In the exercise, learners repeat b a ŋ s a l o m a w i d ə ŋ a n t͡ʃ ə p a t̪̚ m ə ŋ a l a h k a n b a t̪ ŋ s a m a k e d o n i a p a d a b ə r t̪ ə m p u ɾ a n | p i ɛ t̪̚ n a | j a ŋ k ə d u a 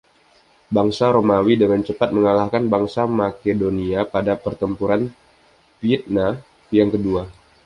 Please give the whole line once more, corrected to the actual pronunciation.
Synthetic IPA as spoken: b a ŋ s a ɾ o m a w i d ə ŋ a n t͡ʃ ə p a t̪̚ m ə ŋ a l a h k a n b a ŋ s a m a k e d o n i a p a d a p ə r t̪ ə m p u ɾ a n | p i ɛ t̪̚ n a | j a ŋ k ə d u a